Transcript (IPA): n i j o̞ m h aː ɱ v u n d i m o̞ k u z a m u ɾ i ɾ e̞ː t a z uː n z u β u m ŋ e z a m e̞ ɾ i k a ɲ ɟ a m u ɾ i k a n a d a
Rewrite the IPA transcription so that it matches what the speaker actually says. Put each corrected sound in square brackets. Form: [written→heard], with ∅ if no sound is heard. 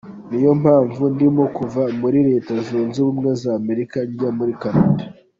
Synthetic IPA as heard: n i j o̞ m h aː ɱ v u n d i m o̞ k u [z→v] a m u ɾ i ɾ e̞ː t a z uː n z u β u m ŋ e z a m e̞ ɾ i k a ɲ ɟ a m u ɾ i k a n a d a